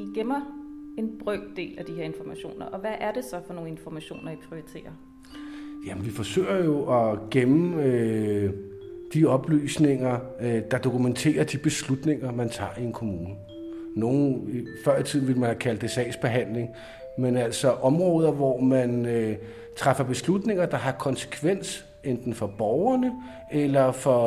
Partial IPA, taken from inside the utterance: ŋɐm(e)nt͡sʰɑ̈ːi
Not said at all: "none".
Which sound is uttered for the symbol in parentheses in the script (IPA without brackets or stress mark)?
æ